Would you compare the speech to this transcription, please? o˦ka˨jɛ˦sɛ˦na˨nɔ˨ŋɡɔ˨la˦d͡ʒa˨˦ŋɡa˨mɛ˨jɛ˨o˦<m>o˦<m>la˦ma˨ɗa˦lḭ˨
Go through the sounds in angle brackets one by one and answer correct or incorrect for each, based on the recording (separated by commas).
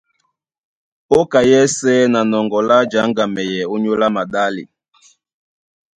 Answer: incorrect, incorrect